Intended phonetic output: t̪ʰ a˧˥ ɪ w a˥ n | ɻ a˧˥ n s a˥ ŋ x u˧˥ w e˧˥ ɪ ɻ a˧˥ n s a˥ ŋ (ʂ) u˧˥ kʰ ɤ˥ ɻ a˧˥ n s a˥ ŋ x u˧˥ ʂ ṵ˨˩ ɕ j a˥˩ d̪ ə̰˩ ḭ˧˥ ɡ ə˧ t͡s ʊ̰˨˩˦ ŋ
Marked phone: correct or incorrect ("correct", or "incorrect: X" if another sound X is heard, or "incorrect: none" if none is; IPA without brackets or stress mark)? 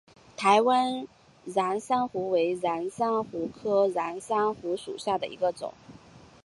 incorrect: x